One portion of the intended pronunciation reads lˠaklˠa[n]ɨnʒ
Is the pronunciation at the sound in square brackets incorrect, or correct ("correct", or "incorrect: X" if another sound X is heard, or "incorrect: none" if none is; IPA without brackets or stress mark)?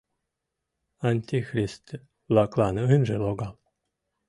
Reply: correct